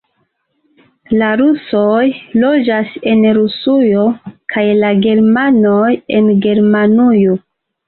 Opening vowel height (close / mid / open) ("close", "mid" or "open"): open